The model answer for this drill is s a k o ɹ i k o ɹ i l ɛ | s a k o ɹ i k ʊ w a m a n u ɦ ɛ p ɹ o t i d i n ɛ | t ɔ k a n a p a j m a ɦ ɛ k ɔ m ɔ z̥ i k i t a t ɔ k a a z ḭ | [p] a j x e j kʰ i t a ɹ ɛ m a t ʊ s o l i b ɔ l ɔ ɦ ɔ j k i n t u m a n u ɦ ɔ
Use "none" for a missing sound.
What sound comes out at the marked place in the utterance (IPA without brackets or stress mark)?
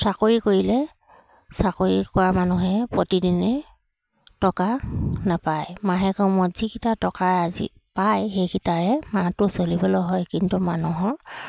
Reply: p